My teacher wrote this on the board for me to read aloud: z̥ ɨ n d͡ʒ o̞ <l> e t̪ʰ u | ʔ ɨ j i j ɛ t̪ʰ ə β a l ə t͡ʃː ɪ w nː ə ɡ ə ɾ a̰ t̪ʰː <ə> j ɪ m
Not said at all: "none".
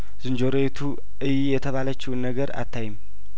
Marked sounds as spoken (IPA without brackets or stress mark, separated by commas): ɾ, a